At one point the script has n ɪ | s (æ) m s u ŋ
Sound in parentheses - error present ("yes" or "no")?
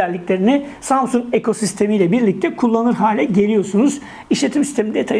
yes